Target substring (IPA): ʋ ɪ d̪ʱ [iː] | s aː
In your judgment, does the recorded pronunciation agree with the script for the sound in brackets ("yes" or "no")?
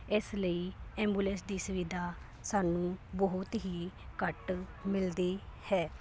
no